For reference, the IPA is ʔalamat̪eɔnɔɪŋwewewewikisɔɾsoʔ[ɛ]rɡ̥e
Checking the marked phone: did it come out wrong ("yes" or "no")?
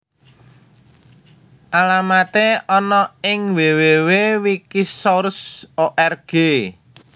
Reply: no